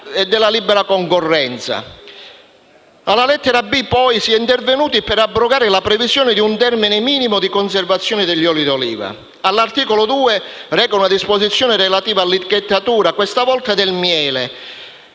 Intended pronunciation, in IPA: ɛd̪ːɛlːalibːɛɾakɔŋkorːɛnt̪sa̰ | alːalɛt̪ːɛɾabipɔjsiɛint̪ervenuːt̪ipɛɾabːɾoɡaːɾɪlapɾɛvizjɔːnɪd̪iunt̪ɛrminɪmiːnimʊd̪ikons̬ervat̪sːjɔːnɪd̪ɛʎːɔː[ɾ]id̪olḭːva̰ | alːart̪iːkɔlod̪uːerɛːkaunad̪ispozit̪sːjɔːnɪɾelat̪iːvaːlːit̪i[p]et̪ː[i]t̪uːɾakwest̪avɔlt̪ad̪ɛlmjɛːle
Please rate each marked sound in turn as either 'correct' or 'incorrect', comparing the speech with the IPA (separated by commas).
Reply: incorrect, incorrect, incorrect